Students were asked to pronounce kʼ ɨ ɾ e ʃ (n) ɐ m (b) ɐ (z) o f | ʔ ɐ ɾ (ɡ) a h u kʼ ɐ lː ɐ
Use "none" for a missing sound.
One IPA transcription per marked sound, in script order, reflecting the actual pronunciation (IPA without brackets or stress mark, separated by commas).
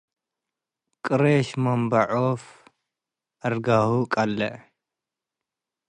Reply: m, b, ʕ, ɡ